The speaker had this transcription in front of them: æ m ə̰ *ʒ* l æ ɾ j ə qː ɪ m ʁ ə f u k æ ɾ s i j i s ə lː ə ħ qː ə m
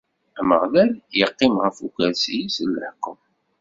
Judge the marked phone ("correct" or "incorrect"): incorrect